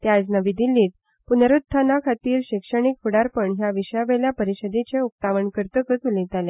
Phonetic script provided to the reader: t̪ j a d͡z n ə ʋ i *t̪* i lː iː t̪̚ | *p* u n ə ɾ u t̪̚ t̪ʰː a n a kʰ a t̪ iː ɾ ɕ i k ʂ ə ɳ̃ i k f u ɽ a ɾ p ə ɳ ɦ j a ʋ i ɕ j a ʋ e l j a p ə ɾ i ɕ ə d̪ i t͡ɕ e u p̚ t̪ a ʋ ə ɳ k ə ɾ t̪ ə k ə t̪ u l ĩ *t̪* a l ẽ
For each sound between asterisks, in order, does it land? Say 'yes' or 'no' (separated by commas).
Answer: no, yes, yes